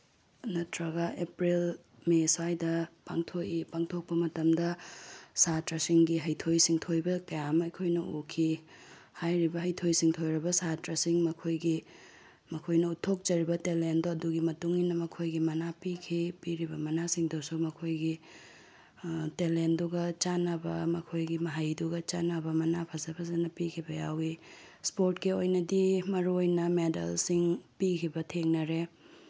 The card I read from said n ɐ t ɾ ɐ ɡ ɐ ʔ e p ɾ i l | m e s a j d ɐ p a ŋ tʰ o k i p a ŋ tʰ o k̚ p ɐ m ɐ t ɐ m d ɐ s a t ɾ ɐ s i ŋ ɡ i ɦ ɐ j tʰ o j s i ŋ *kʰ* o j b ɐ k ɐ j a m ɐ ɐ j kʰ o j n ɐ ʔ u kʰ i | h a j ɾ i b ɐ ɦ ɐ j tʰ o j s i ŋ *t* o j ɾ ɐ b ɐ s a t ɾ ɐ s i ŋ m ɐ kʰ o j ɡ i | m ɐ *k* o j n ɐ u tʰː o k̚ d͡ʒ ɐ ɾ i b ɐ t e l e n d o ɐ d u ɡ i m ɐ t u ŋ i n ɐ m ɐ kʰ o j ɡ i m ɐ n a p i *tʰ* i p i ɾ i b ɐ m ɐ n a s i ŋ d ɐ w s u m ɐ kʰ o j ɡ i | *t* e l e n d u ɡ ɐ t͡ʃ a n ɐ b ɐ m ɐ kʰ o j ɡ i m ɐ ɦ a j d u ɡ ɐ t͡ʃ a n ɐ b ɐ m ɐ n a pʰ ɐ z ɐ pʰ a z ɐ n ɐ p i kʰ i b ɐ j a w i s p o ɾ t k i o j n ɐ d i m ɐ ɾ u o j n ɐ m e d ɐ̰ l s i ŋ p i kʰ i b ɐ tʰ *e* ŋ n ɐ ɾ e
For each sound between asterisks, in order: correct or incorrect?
incorrect, incorrect, incorrect, incorrect, correct, correct

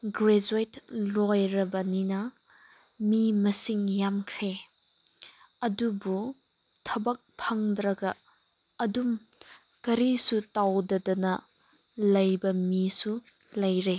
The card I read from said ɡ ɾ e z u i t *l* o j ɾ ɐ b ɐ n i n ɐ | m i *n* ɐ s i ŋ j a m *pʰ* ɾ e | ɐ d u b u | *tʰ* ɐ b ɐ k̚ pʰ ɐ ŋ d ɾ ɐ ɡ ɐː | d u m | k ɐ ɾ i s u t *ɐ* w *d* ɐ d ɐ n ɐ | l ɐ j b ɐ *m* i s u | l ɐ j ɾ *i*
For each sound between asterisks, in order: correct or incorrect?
correct, incorrect, incorrect, correct, incorrect, correct, correct, incorrect

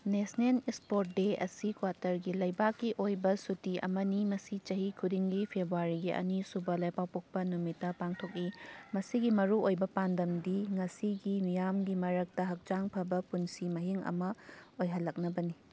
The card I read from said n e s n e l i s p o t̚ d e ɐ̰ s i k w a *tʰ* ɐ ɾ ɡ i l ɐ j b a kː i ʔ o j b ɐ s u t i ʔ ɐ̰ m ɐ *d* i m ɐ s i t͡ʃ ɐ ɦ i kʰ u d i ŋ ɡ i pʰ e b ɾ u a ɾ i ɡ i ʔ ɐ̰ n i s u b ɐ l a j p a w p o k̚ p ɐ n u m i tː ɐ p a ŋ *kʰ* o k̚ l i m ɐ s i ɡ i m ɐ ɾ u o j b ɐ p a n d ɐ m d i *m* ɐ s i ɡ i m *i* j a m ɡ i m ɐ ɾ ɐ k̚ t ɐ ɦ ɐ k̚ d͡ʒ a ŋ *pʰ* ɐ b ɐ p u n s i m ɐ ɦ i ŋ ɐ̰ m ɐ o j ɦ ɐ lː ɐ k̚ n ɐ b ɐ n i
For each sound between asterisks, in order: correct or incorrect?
incorrect, incorrect, incorrect, incorrect, correct, correct

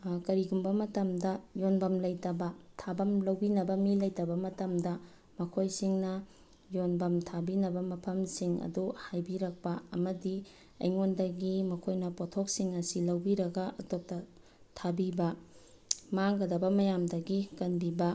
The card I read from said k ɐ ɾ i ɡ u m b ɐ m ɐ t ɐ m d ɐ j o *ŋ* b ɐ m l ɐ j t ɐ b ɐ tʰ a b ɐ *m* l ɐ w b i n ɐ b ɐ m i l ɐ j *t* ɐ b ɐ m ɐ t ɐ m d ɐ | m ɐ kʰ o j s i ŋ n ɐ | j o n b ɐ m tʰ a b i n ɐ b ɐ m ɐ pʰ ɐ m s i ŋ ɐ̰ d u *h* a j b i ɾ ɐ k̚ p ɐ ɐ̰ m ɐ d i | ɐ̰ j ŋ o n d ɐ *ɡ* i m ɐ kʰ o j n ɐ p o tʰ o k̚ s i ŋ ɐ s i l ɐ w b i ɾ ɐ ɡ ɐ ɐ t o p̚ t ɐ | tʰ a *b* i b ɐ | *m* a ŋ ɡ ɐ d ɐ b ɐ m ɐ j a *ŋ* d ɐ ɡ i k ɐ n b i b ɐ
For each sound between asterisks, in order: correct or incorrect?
incorrect, correct, correct, correct, correct, correct, correct, incorrect

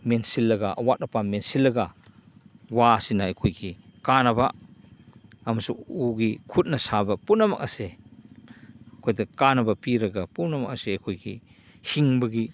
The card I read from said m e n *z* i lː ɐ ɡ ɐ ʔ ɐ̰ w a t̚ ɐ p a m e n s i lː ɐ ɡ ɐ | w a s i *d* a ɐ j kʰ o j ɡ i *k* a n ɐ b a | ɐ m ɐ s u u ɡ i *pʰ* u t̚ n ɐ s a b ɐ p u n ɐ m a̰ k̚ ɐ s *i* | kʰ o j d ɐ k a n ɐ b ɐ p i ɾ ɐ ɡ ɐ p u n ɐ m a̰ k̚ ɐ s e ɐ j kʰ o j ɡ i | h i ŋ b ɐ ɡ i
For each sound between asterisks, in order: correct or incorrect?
incorrect, incorrect, correct, incorrect, incorrect

